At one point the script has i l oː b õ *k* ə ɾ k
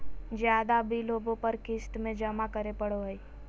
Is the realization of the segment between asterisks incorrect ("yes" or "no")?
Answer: yes